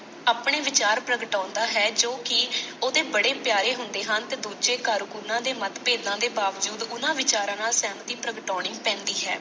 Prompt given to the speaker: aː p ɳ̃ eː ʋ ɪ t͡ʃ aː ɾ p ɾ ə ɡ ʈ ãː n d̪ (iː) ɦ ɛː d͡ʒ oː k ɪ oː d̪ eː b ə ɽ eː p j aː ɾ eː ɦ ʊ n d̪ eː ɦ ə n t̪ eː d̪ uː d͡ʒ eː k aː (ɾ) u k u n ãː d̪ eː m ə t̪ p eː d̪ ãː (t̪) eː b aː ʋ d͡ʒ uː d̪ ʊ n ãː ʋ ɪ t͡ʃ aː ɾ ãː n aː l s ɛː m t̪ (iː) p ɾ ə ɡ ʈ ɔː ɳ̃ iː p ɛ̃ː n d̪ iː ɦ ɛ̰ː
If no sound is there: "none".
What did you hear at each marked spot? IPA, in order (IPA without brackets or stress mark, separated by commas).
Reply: aː, ɾ, d̪, iː